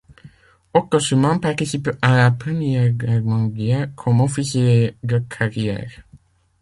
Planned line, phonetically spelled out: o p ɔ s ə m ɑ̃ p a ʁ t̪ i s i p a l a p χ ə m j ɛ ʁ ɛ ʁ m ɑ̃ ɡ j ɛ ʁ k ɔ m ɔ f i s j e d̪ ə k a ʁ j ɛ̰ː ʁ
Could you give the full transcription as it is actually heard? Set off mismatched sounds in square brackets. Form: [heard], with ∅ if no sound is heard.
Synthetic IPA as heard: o [k] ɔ s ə m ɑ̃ p a ʁ t̪ i s i p a l a p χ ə m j ɛ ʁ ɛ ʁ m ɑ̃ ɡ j ɛ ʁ [kʰ] ɔ m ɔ f i s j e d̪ ə [kʰ] a ʁ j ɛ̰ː ʁ

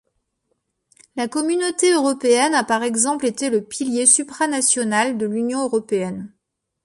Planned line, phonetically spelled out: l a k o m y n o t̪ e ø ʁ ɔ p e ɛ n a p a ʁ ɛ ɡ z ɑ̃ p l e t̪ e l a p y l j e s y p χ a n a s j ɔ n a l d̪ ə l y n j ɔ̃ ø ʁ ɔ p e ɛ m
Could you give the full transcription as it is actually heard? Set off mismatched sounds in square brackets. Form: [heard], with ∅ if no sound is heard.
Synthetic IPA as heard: l a k [ɔ] m y n o t̪ e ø ʁ ɔ p e ɛ n a p a ʁ ɛ ɡ z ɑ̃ p l e t̪ e l [ə] p [i] l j e s y p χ a n a s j ɔ n a l d̪ ə l y n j ɔ̃ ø ʁ ɔ p e ɛ [n]

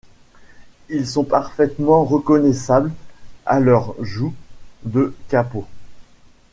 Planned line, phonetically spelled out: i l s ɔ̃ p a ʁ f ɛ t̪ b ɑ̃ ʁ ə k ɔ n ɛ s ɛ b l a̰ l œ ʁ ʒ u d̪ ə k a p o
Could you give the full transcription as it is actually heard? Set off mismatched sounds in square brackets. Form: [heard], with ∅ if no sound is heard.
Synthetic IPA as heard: i l s ɔ̃ p a ʁ f ɛ t̪ [m] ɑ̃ ʁ ə k ɔ n ɛ s [a] b l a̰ l œ ʁ ʒ u d̪ ə k a p o

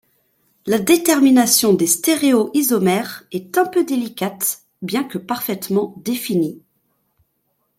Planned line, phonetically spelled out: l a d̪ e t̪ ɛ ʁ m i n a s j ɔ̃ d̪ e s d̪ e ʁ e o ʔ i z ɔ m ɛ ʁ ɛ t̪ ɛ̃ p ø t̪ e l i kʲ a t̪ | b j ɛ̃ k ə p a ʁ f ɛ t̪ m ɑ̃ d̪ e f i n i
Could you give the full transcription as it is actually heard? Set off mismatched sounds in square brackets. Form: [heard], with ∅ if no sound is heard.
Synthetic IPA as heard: l a d̪ e t̪ ɛ ʁ m i n a s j ɔ̃ d̪ e s [t̪] e ʁ e o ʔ i z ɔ m ɛ ʁ ɛ t̪ ɛ̃ p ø [d̪] e l i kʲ a t̪ | b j ɛ̃ k ə p a ʁ f ɛ t̪ m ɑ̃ d̪ e f i n i

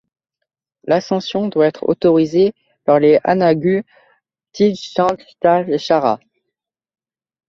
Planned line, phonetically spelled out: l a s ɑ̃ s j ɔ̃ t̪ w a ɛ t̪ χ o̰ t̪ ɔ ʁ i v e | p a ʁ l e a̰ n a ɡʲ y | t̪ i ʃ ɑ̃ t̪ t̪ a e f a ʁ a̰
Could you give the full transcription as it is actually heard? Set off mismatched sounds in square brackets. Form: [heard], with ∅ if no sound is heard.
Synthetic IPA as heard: l a s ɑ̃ s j ɔ̃ [d̪] w a ɛ t̪ χ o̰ t̪ ɔ ʁ i [z] e | p a ʁ l e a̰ n a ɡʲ y | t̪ i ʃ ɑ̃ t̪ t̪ a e [ʃ] a ʁ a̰

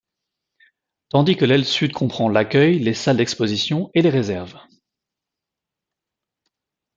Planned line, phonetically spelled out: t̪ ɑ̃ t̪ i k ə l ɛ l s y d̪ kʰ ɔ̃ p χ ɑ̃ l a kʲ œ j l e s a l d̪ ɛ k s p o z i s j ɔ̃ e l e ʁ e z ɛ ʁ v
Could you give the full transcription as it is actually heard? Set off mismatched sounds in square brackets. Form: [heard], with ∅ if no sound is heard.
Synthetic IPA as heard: t̪ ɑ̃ [d̪] i k ə l ɛ l s y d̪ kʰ ɔ̃ p χ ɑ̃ l a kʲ œ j l e s a l d̪ ɛ k s p o z i s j ɔ̃ e l e ʁ e z ɛ ʁ v

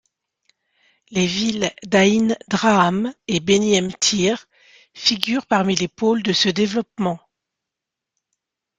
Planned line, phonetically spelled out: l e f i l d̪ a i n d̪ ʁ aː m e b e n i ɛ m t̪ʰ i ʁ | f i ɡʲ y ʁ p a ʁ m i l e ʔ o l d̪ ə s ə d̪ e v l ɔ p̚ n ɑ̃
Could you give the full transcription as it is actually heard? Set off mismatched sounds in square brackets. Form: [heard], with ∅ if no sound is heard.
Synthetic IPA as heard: l e [v] i l d̪ a i n d̪ ʁ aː m e b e n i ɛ m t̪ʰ i ʁ | f i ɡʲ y ʁ p a ʁ m i l e [p] o l d̪ ə s ə d̪ e v l ɔ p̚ [m] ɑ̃

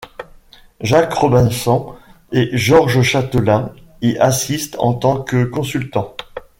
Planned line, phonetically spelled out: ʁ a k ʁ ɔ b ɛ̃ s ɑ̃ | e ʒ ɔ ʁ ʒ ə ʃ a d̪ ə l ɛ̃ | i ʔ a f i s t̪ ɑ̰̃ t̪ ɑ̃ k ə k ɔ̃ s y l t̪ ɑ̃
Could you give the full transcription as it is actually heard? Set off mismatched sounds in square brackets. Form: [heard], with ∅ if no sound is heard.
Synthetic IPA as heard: [ʒ] a k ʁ ɔ b ɛ̃ s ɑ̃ | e ʒ ɔ ʁ ʒ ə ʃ a [t̪] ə l ɛ̃ | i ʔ a [s] i s t̪ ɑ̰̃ t̪ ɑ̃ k ə k ɔ̃ s y l t̪ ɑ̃

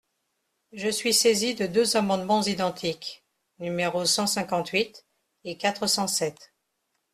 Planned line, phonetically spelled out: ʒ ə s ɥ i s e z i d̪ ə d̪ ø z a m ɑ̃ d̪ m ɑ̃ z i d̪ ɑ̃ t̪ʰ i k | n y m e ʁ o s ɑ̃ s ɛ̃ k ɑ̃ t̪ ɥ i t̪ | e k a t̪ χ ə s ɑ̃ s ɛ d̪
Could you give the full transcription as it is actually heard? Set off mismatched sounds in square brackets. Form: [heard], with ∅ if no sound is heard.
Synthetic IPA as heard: ʒ ə s ɥ i s e z i d̪ ə d̪ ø z a m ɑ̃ d̪ m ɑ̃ z i d̪ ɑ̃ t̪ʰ i k | n y m e ʁ o s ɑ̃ s ɛ̃ k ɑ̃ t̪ ɥ i t̪ | e k a t̪ χ ə s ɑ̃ s ɛ [t̪]

